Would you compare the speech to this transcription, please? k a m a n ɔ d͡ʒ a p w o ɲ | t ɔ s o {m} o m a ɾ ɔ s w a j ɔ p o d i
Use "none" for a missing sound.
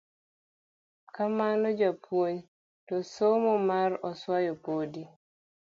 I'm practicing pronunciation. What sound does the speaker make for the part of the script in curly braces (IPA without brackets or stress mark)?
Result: m